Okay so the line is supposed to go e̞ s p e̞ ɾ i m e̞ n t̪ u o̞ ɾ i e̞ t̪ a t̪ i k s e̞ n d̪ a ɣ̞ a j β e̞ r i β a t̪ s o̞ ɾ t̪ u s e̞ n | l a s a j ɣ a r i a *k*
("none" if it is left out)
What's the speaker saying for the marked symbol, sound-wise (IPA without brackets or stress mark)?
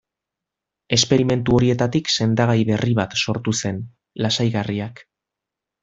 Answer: k